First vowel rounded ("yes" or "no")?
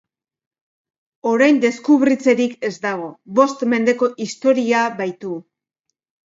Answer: yes